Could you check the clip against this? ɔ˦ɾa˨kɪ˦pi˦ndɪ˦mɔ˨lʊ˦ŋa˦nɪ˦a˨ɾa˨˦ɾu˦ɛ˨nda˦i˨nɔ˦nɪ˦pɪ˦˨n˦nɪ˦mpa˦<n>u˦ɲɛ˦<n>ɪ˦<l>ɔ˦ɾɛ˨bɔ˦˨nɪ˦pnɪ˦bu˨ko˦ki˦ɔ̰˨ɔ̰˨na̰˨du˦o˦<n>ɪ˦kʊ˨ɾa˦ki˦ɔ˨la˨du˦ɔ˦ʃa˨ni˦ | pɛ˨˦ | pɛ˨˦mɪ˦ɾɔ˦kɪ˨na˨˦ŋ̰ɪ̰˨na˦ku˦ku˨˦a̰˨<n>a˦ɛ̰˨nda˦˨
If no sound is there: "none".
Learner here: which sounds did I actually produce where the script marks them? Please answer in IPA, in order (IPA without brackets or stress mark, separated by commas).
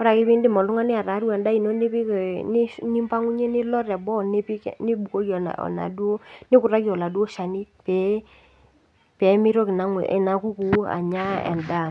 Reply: ŋ, n, l, n, ɲ